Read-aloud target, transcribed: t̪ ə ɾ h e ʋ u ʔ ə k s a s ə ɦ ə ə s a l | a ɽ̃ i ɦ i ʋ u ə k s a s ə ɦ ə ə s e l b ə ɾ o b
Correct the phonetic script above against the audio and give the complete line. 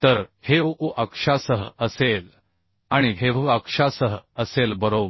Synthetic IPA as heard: t̪ ə ɾ h e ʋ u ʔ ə k ʂ a s ə ɦ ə ə s e l | a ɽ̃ i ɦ e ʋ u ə k ʂ a s ə ɦ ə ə s e l b ə ɾ o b